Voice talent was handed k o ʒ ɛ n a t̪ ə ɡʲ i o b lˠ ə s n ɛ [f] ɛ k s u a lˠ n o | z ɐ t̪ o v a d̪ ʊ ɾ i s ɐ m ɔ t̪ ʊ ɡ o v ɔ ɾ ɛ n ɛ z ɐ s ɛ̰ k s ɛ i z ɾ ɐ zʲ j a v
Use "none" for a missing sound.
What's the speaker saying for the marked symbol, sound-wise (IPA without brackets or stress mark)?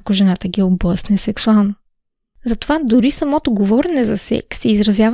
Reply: s